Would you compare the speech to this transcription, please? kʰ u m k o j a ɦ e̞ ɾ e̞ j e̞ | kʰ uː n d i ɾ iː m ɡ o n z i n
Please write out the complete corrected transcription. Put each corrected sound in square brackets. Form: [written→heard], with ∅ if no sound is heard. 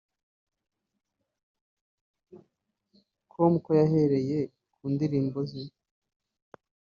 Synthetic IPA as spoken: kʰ [u→o] m k o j a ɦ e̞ ɾ e̞ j e̞ | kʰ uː n d i ɾ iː m [ɡ→b] o [n→∅] z i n